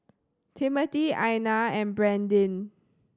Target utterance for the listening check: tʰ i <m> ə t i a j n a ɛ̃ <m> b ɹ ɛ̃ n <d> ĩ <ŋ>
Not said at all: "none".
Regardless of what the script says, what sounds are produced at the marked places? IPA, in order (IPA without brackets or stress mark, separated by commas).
m, n, d, n